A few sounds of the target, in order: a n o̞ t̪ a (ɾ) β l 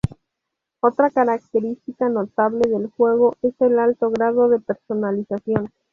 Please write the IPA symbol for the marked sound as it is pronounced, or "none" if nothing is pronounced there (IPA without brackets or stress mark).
none